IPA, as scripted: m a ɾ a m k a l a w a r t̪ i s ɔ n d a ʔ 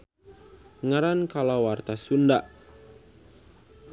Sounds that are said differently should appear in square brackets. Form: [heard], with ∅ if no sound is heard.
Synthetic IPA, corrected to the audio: [ŋ] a ɾ a [n] k a l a w a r t̪ [a] s [u] n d a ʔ